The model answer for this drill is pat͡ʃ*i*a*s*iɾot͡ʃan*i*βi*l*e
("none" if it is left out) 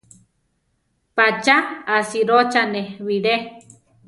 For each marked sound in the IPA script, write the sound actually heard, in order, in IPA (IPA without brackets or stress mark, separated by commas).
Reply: a, s, e, ɾ